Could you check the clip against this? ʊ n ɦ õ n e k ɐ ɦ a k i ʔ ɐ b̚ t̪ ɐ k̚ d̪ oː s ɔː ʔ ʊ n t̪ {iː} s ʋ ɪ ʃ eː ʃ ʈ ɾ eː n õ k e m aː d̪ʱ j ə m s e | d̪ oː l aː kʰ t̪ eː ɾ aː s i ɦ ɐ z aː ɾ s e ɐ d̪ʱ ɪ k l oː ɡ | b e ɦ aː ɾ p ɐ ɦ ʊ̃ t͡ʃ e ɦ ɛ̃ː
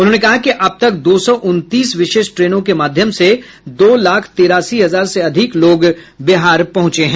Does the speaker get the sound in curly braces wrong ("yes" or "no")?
no